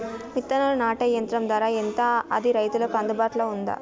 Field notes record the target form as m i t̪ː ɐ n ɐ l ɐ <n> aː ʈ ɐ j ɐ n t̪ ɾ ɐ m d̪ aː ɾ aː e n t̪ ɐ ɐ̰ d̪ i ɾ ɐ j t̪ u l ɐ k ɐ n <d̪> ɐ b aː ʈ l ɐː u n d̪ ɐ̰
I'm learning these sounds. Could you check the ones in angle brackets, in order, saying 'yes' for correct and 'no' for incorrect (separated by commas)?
yes, yes